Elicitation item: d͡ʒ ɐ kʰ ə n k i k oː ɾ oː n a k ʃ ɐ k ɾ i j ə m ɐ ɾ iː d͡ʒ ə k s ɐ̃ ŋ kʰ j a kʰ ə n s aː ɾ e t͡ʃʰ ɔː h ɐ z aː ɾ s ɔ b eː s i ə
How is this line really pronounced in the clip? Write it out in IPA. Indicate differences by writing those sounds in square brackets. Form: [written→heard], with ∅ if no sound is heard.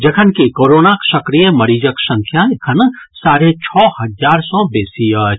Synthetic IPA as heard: d͡ʒ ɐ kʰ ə n k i k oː ɾ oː n a k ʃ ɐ k ɾ i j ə m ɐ ɾ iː d͡ʒ ə k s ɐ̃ ŋ kʰ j a kʰ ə n s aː ɾ e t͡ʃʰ ɔː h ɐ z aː ɾ s ɔ b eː s i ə